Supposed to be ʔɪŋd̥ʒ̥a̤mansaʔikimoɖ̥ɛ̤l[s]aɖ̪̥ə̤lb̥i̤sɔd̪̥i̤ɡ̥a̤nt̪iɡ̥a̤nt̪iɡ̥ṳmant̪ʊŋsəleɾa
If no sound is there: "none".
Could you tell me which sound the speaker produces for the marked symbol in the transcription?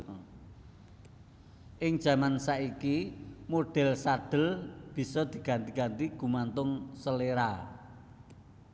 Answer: s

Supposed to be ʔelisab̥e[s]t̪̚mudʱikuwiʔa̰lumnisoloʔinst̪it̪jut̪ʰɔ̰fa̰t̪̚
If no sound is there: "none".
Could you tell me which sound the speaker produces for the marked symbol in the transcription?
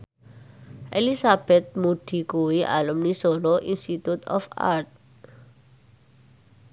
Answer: none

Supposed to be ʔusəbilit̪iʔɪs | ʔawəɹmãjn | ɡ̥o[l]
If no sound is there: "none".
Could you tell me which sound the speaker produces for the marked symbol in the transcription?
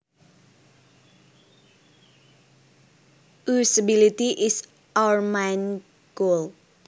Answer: l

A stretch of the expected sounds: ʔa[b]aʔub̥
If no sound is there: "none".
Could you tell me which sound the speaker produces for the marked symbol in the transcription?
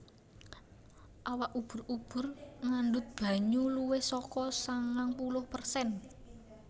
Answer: w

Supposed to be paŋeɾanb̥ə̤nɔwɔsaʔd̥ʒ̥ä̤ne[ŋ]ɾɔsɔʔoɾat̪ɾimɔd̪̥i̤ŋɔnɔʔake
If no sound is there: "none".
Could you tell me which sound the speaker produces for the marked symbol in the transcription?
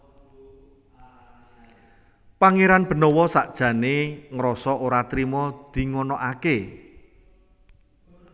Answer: ŋ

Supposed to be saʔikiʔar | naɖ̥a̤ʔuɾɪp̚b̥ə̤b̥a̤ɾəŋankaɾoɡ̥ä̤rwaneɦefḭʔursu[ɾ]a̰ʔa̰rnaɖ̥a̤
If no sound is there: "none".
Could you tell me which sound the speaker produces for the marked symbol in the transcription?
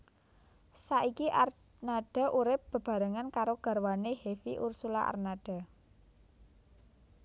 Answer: l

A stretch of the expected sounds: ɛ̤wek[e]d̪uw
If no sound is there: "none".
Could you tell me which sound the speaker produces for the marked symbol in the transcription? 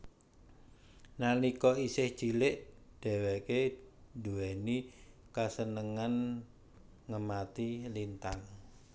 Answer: e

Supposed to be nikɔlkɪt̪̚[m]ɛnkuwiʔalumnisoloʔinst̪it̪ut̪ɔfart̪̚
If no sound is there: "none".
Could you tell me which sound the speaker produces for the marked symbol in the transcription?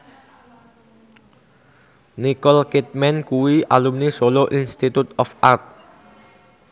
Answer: m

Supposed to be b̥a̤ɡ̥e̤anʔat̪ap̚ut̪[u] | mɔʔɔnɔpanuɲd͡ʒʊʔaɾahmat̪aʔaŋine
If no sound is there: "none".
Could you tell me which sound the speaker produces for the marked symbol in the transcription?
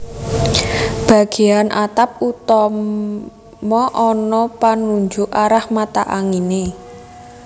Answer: ɔ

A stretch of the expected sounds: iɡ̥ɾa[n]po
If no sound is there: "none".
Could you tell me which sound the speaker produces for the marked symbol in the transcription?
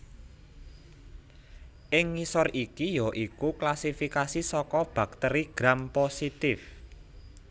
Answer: m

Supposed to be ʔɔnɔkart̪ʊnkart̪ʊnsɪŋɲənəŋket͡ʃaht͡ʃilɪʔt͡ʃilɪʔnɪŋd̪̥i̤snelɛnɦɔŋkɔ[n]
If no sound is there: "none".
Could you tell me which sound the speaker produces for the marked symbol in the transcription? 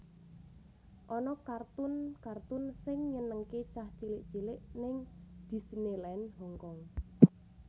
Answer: ŋ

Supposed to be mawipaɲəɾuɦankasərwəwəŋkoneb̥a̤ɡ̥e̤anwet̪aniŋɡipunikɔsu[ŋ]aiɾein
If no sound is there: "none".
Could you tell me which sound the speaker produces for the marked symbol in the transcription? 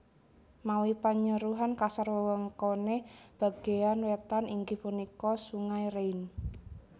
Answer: ŋ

